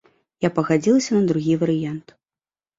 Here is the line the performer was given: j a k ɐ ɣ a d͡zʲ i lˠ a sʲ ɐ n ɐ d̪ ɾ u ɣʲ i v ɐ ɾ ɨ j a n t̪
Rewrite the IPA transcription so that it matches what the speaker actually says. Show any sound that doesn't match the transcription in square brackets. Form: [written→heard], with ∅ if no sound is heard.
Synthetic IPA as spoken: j a [k→p] ɐ ɣ a d͡zʲ i lˠ [a→ɐ] sʲ ɐ n ɐ d̪ ɾ u ɣʲ i v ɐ ɾ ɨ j a n t̪

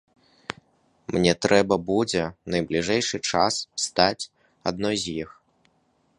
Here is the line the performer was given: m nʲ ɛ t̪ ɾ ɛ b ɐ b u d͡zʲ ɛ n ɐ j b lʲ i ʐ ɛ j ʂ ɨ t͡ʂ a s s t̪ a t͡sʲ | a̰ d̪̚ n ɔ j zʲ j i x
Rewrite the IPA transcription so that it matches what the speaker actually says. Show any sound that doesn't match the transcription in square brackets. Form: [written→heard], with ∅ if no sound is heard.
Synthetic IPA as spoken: m nʲ ɛ t̪ ɾ ɛ b ɐ b u d͡zʲ ɛ n ɐ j b lʲ i ʐ ɛ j ʂ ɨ t͡ʂ a s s t̪ a t͡sʲ | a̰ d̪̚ n ɔ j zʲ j i x

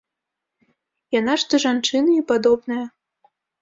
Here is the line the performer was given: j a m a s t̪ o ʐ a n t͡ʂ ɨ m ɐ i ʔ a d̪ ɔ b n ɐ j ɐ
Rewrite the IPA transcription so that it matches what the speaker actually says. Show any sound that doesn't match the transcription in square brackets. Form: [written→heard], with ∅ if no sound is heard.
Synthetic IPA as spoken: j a [m→n] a [s→ʂ] t̪ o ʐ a n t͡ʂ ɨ [m→n] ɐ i [ʔ→p] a d̪ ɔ b n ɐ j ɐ

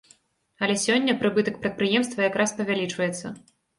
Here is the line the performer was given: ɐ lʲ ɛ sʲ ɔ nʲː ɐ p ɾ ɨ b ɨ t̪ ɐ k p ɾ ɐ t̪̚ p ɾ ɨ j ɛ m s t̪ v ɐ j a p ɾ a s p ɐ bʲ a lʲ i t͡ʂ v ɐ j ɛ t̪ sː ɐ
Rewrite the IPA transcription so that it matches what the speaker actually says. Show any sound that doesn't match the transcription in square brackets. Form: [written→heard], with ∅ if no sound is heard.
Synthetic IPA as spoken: ɐ lʲ ɛ sʲ ɔ nʲː ɐ p ɾ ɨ b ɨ t̪ ɐ k p ɾ ɐ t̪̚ p ɾ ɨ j ɛ m s t̪ v ɐ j a [p→k] ɾ a s p ɐ [bʲ→vʲ] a lʲ i t͡ʂ v ɐ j ɛ t̪ sː ɐ

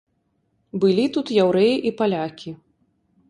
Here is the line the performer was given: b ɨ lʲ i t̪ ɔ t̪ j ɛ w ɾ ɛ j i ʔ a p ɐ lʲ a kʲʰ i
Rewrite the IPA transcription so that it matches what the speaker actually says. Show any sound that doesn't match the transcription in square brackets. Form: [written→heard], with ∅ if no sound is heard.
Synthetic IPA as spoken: b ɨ lʲ i t̪ [ɔ→u] t̪ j [ɛ→a] w ɾ ɛ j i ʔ [a→i] p [ɐ→a] lʲ a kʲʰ i

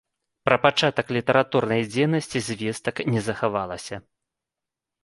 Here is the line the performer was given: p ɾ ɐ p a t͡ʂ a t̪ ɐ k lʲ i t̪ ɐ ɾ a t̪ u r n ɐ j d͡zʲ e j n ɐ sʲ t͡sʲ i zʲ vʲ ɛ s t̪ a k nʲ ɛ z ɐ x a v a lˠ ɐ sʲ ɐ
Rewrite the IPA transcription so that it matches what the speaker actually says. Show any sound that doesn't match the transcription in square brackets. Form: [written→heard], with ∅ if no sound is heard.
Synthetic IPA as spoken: p ɾ ɐ p a t͡ʂ a t̪ ɐ k lʲ i t̪ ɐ ɾ a t̪ u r n ɐ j d͡zʲ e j n ɐ sʲ t͡sʲ i zʲ vʲ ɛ s t̪ [a→ɐ] k nʲ ɛ z ɐ x a v a lˠ ɐ sʲ ɐ

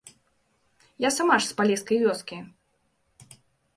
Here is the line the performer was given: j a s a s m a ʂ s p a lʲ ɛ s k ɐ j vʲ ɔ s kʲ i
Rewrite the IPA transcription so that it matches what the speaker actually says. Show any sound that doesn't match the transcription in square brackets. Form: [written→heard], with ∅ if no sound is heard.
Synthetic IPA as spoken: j a s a [s→∅] m a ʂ s p a lʲ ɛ s k ɐ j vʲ ɔ s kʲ i

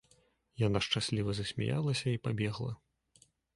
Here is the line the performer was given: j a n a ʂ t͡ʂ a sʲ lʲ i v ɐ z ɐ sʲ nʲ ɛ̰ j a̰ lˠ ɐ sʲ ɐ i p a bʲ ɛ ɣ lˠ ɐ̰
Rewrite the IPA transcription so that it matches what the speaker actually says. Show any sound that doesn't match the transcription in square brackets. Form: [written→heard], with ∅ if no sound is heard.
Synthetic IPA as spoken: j a n a ʂ t͡ʂ a sʲ lʲ i v ɐ z ɐ sʲ [nʲ→mʲ] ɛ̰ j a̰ lˠ ɐ sʲ ɐ i p a bʲ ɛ ɣ lˠ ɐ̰

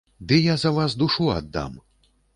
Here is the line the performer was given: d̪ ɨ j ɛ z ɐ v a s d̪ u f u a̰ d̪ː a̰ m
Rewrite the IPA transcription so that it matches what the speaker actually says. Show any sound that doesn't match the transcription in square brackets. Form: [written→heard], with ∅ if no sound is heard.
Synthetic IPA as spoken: d̪ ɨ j [ɛ→a] z ɐ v a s d̪ u [f→ʂ] u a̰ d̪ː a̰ m

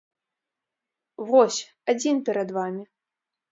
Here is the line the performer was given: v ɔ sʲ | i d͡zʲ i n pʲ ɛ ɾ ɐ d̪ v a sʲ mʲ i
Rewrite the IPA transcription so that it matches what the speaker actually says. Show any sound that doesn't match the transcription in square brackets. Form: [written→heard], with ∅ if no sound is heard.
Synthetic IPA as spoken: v ɔ sʲ | [i→a] d͡zʲ i n pʲ ɛ ɾ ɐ d̪ v a [sʲ→∅] mʲ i

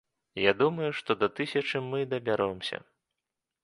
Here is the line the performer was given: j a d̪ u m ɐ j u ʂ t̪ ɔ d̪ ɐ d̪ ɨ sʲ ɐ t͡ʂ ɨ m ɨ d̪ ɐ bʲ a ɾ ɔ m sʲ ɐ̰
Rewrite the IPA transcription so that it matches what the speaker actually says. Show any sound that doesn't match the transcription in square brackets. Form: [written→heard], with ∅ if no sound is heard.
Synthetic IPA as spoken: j a d̪ u m ɐ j u ʂ t̪ ɔ d̪ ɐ [d̪→t̪] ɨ sʲ ɐ t͡ʂ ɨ m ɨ d̪ ɐ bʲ a ɾ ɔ m sʲ ɐ̰

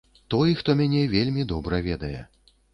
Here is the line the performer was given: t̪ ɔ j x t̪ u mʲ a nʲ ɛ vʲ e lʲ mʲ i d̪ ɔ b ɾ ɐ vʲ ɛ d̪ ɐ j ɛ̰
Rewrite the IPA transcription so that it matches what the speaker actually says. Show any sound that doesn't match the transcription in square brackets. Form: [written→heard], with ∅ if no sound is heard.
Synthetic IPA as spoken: t̪ ɔ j x t̪ [u→ɔ] mʲ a nʲ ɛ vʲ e lʲ mʲ i d̪ ɔ b ɾ ɐ vʲ ɛ d̪ ɐ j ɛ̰

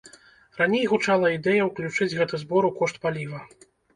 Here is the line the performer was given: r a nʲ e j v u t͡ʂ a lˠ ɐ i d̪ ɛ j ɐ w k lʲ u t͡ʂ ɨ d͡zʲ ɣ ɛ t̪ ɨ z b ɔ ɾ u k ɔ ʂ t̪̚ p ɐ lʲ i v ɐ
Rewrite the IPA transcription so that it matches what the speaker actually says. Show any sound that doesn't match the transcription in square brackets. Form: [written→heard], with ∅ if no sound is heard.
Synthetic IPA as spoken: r a nʲ e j [v→ɣ] u t͡ʂ a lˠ ɐ i d̪ ɛ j ɐ w k lʲ u t͡ʂ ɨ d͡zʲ ɣ ɛ t̪ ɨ z b ɔ ɾ u k ɔ ʂ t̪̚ p [ɐ→a] lʲ i v ɐ

